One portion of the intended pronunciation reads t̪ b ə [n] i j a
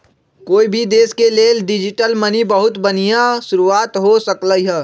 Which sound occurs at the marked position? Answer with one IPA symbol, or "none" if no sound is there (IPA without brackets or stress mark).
n